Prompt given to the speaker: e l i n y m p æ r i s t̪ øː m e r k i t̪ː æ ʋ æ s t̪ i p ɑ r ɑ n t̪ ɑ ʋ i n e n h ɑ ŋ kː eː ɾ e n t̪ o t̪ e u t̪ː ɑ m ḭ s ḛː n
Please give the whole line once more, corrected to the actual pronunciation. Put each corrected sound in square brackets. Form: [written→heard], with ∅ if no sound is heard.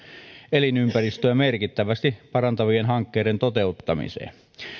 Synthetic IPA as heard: e l i n y m p æ r i s t̪ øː m e r k i t̪ː æ ʋ æ s t̪ i p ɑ r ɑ n t̪ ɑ ʋ i [n→∅] e n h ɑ ŋ kː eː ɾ e n t̪ o t̪ e u t̪ː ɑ m ḭ s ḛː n